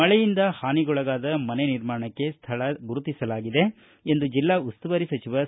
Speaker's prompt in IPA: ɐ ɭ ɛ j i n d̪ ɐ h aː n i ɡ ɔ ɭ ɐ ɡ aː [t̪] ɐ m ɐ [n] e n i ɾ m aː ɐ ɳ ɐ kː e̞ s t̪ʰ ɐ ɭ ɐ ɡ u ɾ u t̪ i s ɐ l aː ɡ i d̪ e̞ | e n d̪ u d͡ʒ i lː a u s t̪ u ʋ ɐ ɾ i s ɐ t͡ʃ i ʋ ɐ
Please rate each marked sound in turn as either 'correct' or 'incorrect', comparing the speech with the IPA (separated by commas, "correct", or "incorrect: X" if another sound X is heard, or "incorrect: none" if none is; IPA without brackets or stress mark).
incorrect: d̪, correct